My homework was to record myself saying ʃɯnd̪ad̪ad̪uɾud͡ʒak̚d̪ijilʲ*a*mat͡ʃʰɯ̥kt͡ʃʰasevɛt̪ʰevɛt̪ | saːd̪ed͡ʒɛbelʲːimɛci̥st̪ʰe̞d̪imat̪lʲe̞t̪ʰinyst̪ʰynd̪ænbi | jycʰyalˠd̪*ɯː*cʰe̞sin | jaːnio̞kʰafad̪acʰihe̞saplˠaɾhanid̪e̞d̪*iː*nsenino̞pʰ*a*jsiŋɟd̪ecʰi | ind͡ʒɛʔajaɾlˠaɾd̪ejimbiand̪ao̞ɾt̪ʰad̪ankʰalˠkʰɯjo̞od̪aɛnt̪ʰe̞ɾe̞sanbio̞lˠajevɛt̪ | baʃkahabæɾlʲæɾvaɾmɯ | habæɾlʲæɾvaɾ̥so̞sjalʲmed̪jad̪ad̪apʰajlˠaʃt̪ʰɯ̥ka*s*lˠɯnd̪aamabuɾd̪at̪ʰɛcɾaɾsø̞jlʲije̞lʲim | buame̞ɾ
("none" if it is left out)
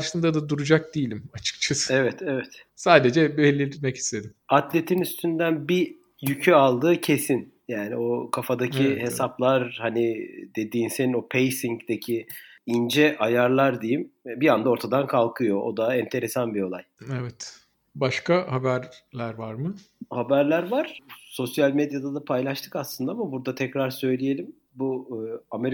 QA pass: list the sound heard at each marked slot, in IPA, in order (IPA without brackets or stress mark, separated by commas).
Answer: i, ɯː, iː, e, s